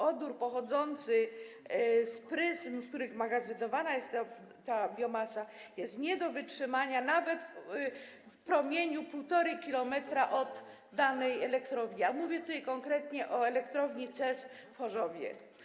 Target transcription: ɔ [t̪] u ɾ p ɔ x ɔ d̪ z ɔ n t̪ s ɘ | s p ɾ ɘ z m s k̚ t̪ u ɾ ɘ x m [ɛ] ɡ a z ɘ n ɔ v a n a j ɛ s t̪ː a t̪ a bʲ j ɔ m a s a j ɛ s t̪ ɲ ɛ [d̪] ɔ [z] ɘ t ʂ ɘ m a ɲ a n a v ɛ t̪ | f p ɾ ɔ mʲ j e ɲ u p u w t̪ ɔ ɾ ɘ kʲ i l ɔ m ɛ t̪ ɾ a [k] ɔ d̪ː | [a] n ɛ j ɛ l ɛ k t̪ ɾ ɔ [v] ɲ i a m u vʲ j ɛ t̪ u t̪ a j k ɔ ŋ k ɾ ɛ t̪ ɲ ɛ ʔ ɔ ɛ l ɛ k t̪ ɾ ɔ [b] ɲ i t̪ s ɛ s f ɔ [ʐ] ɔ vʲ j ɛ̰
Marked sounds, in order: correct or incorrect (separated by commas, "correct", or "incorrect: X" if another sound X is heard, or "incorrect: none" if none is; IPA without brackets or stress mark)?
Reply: incorrect: d̪, incorrect: a, correct, incorrect: v, incorrect: ʔ, correct, correct, incorrect: v, correct